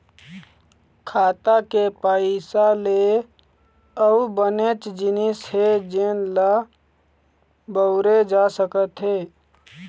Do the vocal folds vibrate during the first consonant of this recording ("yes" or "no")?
no